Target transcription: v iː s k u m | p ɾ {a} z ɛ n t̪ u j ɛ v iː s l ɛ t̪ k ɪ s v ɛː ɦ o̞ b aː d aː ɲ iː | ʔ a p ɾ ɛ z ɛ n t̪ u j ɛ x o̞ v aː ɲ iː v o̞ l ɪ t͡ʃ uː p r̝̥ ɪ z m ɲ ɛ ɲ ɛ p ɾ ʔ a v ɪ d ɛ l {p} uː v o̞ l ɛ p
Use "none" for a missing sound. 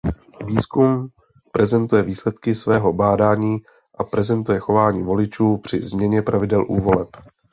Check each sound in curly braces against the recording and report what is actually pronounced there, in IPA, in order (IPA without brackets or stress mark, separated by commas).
ɛ, ʔ